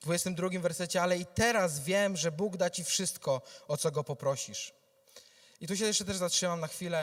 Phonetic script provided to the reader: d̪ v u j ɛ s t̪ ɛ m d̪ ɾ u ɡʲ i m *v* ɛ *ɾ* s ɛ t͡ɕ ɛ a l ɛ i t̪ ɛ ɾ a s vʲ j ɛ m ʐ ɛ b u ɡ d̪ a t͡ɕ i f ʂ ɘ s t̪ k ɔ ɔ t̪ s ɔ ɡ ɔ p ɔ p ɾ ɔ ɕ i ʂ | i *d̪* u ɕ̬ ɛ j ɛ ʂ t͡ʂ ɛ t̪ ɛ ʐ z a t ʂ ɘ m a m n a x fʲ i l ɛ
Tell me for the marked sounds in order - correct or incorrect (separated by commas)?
correct, correct, incorrect